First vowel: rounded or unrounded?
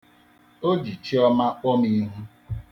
rounded